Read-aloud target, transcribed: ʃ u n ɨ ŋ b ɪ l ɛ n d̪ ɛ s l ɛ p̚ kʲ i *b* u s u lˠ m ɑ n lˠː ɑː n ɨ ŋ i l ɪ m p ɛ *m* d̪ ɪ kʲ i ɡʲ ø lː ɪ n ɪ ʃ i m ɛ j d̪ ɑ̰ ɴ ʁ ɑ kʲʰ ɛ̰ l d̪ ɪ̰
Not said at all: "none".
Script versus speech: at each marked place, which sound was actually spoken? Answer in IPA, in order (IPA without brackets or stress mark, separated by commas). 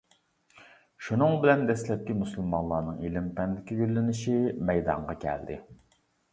m, n